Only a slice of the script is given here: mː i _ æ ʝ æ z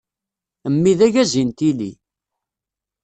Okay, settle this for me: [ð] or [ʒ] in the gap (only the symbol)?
ð